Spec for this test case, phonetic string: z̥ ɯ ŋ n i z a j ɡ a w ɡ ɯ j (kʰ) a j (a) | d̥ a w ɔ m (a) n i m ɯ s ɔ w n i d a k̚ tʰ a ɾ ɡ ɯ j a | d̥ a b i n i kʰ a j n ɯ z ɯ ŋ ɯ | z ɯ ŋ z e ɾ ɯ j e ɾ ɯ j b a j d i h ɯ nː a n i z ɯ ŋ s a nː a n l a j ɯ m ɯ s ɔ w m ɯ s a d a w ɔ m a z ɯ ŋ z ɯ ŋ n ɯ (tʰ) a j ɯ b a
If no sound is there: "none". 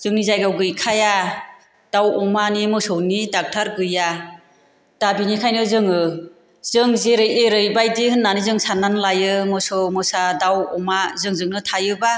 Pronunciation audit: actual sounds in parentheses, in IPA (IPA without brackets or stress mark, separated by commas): kʰ, a, a, tʰ